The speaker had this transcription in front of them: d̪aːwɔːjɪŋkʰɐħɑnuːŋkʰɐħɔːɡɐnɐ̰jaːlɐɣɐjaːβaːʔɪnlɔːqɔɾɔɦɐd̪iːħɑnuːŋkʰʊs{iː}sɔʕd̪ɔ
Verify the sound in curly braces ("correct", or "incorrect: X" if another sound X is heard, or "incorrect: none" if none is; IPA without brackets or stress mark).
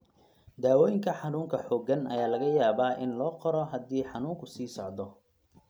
correct